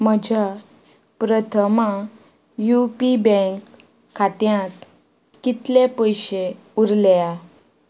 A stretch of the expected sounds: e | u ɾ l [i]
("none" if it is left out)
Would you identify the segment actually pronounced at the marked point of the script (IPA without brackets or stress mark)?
a